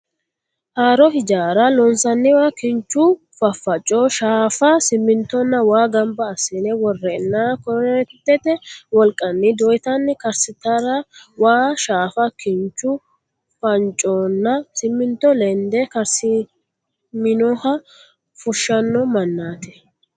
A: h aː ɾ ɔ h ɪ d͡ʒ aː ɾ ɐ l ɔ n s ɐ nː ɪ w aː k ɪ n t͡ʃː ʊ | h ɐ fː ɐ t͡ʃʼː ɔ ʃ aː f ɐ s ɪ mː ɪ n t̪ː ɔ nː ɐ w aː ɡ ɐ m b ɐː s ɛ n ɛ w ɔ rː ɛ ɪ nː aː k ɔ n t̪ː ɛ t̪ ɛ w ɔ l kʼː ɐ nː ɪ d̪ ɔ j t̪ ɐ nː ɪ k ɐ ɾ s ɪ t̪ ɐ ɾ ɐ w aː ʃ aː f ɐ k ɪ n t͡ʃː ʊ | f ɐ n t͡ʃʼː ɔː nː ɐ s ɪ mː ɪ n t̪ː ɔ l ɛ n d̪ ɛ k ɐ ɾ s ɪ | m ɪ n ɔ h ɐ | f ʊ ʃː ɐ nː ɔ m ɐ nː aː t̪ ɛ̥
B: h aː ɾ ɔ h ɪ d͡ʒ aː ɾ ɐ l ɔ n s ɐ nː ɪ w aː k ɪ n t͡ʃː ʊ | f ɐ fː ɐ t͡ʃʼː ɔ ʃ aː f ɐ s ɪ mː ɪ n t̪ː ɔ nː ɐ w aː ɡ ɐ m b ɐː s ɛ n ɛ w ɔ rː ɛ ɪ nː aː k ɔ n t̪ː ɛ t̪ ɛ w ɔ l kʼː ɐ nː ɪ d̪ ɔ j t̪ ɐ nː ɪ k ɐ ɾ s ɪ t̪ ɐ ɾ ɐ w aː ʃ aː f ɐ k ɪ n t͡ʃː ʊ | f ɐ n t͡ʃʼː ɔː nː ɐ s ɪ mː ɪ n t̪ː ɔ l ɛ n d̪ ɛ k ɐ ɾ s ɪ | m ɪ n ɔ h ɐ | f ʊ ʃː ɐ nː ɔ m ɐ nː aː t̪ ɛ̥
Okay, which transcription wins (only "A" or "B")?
B